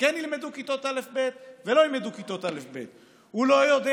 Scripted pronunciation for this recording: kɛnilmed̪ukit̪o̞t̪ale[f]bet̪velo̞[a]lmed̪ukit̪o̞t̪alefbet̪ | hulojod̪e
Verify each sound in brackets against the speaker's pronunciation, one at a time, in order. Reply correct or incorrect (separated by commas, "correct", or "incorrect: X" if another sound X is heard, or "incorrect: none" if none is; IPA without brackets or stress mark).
correct, incorrect: i